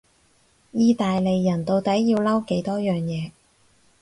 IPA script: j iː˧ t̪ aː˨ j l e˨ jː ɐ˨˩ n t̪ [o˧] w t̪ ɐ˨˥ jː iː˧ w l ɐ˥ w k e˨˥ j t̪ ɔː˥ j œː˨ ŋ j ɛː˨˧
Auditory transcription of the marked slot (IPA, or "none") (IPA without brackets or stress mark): o˧